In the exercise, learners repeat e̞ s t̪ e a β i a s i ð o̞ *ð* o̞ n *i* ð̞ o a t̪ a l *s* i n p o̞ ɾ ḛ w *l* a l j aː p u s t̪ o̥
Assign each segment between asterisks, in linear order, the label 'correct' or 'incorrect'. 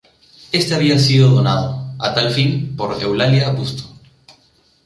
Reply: correct, incorrect: a, incorrect: f, correct

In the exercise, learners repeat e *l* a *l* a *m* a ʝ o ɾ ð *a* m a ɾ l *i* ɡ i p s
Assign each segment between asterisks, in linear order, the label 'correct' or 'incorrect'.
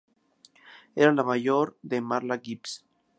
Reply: incorrect: ɾ, correct, correct, incorrect: e, incorrect: a

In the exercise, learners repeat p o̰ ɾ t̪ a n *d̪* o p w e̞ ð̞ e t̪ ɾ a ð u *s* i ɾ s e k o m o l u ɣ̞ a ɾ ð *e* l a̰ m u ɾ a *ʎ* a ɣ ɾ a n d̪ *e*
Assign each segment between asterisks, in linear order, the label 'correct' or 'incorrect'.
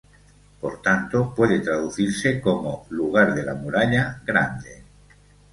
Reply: incorrect: t̪, incorrect: θ, correct, correct, correct

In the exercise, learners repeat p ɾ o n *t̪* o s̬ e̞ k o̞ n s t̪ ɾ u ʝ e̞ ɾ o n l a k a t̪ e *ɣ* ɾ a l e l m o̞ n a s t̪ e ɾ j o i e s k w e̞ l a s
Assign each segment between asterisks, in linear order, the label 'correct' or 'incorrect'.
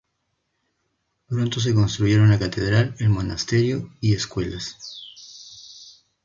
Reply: correct, incorrect: ð

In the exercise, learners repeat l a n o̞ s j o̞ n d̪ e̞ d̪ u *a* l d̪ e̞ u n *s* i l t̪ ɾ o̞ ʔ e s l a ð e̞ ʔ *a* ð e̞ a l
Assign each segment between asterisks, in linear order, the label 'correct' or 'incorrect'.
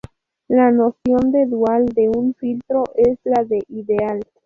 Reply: correct, incorrect: f, incorrect: i

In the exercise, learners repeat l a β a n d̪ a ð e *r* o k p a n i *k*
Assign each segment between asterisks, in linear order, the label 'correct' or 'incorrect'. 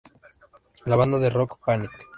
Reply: correct, correct

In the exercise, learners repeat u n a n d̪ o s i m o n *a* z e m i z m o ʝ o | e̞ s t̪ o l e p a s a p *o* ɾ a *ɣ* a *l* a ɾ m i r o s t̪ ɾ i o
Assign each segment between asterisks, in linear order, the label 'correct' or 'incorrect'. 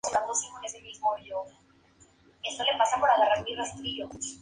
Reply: incorrect: e, correct, correct, incorrect: r

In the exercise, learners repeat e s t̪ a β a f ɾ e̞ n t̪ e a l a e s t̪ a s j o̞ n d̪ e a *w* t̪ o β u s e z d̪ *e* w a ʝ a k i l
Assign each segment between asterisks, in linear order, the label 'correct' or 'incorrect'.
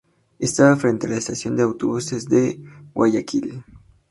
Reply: correct, correct

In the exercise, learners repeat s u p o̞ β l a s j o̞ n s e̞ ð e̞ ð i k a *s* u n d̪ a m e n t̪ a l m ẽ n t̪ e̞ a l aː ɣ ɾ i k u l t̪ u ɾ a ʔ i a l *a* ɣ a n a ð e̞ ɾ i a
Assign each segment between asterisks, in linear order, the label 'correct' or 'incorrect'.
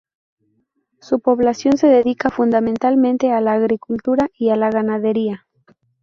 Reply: incorrect: f, correct

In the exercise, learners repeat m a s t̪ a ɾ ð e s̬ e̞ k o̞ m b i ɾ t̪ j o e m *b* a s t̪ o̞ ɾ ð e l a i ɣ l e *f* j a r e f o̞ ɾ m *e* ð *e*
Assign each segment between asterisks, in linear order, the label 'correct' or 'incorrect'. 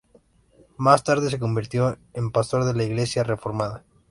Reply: incorrect: p, incorrect: s, incorrect: a, incorrect: a

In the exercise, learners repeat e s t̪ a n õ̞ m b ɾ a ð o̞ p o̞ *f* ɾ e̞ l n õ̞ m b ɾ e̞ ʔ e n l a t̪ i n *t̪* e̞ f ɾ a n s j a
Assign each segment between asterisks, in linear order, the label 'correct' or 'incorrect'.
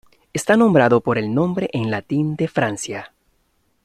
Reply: incorrect: none, incorrect: d̪

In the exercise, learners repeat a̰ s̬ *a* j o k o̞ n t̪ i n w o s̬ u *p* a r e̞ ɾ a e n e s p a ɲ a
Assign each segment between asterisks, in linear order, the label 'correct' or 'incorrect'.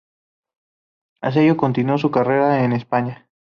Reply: incorrect: e, incorrect: k

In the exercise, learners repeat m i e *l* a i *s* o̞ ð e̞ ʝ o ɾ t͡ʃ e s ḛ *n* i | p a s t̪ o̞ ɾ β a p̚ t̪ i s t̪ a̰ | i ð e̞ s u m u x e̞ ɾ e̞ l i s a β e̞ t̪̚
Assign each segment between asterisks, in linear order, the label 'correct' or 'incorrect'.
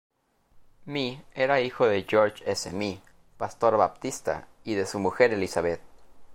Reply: incorrect: ɾ, incorrect: x, incorrect: m

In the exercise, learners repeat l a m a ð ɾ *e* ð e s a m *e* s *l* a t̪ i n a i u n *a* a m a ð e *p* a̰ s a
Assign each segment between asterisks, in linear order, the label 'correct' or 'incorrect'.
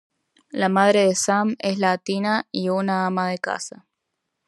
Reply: correct, correct, correct, correct, incorrect: k

